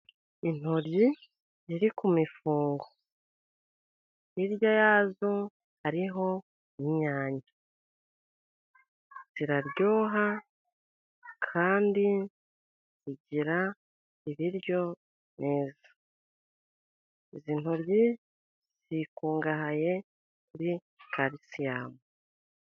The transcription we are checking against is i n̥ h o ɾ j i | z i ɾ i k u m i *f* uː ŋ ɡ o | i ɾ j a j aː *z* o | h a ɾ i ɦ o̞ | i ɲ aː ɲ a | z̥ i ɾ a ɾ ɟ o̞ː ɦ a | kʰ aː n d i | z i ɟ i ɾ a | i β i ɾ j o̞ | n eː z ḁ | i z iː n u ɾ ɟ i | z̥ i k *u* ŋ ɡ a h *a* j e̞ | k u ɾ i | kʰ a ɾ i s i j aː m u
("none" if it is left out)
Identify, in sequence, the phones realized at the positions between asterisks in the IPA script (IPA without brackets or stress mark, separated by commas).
f, z, uː, a